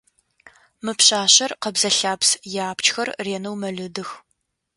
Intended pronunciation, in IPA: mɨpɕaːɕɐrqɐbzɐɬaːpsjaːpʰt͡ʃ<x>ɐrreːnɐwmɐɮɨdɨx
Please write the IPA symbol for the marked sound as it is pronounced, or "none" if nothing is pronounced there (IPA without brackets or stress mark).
x